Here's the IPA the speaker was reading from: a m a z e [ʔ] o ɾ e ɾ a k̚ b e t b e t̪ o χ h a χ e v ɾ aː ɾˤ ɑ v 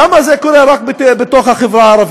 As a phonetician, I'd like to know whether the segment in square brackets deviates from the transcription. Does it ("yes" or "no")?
yes